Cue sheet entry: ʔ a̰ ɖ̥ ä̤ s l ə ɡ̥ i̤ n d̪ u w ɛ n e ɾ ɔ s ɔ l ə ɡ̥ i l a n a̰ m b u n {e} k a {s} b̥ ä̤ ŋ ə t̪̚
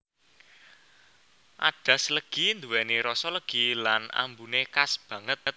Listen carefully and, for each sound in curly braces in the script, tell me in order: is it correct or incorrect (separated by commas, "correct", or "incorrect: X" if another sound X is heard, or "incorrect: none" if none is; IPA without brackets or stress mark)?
correct, correct